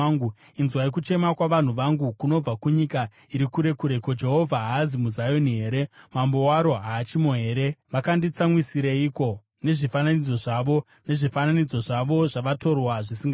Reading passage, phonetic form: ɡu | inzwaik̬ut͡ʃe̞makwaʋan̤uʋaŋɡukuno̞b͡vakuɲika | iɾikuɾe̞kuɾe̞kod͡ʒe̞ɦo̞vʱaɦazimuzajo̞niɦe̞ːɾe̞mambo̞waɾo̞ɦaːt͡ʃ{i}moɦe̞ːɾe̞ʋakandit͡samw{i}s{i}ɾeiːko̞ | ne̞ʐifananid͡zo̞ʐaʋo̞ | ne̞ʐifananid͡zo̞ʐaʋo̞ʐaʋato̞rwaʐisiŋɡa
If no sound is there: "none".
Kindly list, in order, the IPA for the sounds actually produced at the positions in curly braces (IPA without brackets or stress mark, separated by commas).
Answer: i, i, i